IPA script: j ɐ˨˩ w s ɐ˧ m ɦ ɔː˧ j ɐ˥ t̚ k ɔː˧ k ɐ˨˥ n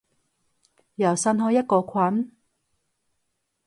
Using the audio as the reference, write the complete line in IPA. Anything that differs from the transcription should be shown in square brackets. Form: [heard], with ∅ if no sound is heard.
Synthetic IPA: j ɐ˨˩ w s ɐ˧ [n] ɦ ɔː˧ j ɐ˥ t̚ k ɔː˧ [kʰ] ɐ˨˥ n